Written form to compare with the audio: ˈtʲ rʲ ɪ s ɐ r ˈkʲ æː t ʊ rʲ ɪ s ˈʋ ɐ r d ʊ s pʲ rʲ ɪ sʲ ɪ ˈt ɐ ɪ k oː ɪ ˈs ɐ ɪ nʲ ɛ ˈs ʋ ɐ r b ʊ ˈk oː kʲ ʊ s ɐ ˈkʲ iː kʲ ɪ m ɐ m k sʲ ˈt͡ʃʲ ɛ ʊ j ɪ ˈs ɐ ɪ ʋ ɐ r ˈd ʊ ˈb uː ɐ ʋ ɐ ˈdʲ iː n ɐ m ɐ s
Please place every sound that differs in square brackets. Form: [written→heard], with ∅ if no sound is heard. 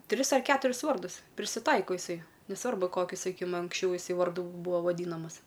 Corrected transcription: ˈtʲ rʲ ɪ s ɐ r ˈkʲ æː t ʊ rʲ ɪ s ˈʋ ɐ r d ʊ s pʲ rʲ ɪ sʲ ɪ ˈt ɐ ɪ k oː ɪ ˈs ɐ ɪ nʲ ɛ ˈs ʋ ɐ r b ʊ ˈk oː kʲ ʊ s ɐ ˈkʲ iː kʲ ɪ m ɐ [m→ŋ] k sʲ ˈt͡ʃʲ ɛ ʊ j ɪ ˈs ɐ ɪ ʋ ɐ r ˈd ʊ ˈb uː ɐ ʋ ɐ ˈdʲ iː n ɐ m ɐ s